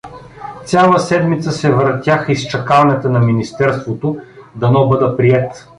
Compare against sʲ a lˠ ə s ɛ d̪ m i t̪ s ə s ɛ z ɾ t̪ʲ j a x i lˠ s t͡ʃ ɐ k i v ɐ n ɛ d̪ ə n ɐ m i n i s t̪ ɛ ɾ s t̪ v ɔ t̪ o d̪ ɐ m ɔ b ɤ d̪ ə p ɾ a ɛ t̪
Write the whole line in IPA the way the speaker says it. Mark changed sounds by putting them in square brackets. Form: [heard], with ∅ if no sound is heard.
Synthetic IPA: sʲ a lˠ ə s ɛ d̪ m i t̪ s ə s ɛ [v] ɾ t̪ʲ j a x i [∅] s t͡ʃ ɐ k [a] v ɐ n ɛ [t̪] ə n ɐ m i n i s t̪ ɛ ɾ s t̪ v [o] t̪ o d̪ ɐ [n] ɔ b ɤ d̪ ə p ɾ [i] ɛ t̪